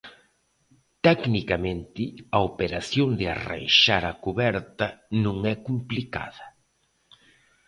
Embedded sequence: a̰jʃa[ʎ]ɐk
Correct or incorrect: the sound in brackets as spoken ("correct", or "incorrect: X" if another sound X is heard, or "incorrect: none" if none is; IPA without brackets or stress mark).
incorrect: ɾ